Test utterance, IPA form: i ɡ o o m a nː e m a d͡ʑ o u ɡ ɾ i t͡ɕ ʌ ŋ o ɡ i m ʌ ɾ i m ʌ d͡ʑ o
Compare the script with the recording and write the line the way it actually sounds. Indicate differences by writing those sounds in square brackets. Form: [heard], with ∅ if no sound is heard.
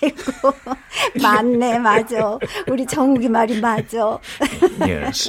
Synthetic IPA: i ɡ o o m a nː e m a d͡ʑ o u [∅] ɾ i t͡ɕ ʌ ŋ [u] ɡ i m [a] ɾ i m [a] d͡ʑ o